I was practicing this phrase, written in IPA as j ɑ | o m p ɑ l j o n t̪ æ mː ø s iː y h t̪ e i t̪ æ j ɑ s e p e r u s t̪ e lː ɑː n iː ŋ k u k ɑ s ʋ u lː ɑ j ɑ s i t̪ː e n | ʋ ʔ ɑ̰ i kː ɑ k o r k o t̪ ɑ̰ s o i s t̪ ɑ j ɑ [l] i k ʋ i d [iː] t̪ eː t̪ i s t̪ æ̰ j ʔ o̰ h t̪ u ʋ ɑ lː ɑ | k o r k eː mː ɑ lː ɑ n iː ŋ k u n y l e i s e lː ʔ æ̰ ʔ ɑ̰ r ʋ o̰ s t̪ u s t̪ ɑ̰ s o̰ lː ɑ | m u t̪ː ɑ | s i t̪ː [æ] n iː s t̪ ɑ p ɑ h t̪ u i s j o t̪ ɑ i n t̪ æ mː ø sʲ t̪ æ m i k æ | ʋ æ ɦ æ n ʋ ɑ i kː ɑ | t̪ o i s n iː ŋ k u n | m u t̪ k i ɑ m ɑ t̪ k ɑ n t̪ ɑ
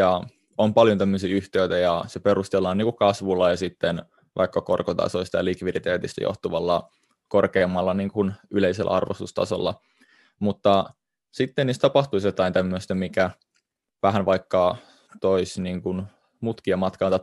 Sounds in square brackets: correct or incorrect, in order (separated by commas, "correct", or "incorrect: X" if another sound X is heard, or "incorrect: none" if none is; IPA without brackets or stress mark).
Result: correct, incorrect: i, incorrect: e